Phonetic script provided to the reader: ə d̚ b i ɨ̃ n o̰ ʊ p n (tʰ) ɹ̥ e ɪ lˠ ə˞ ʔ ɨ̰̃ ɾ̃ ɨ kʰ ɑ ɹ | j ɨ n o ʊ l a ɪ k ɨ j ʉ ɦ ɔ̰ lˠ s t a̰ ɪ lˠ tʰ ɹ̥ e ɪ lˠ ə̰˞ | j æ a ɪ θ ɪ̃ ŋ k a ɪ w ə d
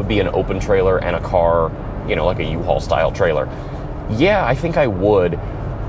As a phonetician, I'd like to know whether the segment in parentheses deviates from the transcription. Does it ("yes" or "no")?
no